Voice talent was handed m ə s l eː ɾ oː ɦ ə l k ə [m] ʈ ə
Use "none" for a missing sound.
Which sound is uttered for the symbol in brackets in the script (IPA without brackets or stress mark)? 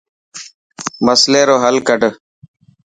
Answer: none